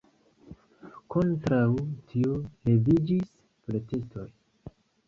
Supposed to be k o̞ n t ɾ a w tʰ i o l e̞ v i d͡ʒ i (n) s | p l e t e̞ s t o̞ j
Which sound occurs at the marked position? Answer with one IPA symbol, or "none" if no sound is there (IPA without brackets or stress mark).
none